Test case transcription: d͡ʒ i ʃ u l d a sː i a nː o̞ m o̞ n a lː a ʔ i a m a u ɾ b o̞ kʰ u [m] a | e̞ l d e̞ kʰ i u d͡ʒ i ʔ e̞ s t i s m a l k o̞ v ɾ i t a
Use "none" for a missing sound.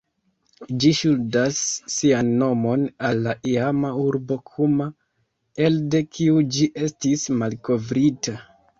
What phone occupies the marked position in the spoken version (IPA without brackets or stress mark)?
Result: m